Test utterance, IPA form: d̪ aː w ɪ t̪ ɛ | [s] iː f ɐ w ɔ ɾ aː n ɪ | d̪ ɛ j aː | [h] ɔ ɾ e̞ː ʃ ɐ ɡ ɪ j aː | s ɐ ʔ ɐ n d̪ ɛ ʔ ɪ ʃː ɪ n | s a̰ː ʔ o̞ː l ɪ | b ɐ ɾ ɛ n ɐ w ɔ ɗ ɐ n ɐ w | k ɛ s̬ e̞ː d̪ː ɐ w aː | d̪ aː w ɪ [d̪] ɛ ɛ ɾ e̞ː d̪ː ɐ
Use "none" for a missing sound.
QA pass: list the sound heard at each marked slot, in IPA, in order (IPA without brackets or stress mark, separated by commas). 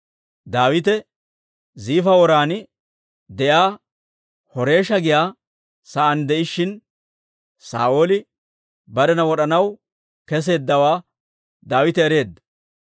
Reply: z, h, t̪